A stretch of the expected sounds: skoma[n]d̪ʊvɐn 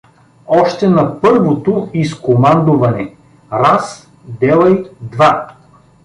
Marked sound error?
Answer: no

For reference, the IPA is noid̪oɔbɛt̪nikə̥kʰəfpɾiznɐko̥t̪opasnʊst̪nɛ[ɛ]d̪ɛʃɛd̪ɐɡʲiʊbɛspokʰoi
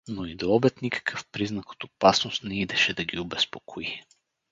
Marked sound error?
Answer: yes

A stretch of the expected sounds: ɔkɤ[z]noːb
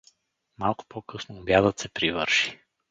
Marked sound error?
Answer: yes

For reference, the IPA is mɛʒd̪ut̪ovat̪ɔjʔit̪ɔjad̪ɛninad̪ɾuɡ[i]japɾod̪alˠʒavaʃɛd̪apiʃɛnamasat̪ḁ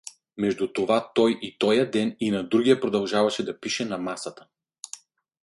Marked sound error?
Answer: no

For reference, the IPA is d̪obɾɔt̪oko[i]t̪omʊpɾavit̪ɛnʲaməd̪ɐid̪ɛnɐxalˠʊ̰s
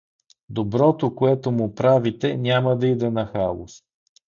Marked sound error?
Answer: yes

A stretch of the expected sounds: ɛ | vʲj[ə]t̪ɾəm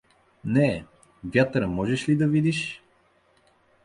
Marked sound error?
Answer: yes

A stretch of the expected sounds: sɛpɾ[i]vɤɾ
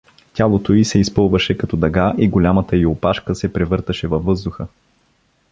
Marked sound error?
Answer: yes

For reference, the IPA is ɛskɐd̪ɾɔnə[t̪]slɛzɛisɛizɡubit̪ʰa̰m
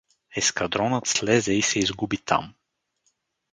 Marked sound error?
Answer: no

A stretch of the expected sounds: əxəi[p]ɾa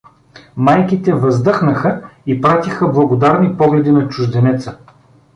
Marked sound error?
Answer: no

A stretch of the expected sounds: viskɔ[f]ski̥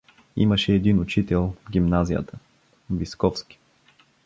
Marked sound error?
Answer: no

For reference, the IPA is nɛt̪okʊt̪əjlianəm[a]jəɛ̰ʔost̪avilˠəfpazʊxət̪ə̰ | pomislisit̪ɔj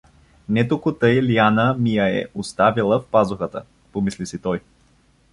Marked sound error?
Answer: yes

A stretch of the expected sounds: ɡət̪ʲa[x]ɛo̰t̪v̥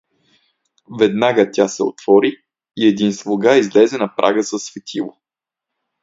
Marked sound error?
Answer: yes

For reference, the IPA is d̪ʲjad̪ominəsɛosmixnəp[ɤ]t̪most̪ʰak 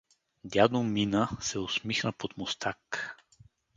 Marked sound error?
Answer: yes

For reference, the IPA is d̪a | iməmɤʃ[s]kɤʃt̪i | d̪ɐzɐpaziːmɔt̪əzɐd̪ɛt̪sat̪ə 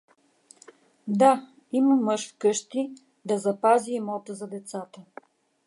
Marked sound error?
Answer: yes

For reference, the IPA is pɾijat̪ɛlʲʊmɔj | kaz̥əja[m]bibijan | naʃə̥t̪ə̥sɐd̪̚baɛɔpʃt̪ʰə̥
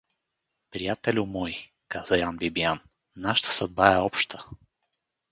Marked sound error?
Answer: yes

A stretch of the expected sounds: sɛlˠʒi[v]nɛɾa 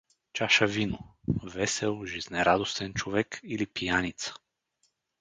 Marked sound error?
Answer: yes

